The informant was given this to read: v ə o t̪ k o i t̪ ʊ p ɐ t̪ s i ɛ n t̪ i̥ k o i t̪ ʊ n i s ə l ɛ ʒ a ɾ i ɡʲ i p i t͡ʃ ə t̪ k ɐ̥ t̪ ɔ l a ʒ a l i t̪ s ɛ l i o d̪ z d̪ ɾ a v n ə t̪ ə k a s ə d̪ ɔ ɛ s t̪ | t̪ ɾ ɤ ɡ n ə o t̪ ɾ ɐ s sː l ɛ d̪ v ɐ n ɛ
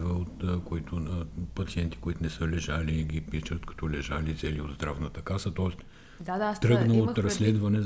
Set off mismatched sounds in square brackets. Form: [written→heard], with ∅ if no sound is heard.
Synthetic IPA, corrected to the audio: v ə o t̪ k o i t̪ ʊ p ɐ t̪ s i ɛ n t̪ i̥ k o i t̪ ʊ n [i→ɛ] s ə l ɛ ʒ a [ɾ→l] i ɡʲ i p i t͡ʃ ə t̪ k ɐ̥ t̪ ɔ l [a→ɛ] ʒ a l i t̪ s ɛ l i o d̪ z d̪ ɾ a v n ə t̪ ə k a s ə [d̪→t̪] ɔ ɛ s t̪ | t̪ ɾ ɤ ɡ n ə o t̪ ɾ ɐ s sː l ɛ d̪ v ɐ n ɛ